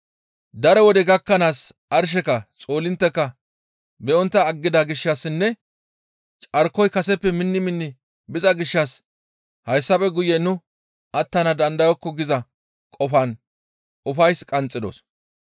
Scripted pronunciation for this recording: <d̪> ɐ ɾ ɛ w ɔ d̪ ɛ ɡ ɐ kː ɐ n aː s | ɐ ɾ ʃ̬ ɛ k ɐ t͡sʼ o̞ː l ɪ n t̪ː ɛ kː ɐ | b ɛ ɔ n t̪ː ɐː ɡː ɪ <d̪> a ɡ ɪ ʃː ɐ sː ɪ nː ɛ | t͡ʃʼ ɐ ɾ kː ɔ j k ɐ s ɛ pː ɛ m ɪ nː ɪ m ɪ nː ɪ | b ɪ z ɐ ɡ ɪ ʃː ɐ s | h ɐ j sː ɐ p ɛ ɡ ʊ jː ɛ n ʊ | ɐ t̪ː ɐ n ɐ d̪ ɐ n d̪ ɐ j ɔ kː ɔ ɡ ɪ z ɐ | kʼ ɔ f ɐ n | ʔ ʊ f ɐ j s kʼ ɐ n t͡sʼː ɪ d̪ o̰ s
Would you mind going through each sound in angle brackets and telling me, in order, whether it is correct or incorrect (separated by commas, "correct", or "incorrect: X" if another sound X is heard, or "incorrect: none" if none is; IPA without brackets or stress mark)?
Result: correct, correct